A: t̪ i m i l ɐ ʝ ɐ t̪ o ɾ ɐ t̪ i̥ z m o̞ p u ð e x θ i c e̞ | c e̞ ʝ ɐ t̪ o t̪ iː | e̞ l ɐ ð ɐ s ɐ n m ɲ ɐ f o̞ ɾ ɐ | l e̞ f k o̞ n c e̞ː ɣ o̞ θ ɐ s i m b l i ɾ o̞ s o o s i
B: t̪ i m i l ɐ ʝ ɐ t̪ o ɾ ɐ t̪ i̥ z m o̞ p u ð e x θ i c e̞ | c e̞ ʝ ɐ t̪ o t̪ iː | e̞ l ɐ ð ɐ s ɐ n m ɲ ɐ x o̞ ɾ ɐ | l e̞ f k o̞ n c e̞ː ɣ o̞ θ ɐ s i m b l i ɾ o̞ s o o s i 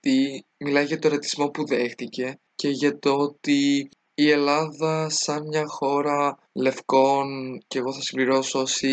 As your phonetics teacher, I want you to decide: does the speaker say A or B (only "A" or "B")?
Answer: B